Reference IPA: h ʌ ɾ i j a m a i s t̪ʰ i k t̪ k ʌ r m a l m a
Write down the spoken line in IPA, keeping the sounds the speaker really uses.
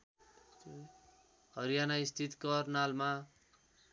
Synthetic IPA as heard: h ʌ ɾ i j a n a i s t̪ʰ i t̪ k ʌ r n a l m a